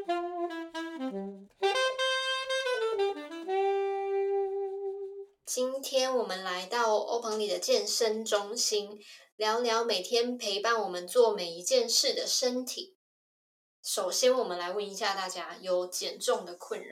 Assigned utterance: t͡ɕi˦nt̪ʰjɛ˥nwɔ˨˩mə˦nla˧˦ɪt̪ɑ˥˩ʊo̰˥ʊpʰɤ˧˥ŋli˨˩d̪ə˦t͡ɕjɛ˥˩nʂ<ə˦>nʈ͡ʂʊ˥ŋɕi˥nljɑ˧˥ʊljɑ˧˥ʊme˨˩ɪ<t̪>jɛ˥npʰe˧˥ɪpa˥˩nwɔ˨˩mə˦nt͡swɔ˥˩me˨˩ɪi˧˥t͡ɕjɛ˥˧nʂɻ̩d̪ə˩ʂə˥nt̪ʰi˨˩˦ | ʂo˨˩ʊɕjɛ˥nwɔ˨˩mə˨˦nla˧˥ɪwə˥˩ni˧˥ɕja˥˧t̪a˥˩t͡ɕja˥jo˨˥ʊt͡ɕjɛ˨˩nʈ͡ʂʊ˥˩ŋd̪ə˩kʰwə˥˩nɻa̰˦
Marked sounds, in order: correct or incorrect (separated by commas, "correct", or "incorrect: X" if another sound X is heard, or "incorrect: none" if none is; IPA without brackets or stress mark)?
correct, incorrect: t̪ʰ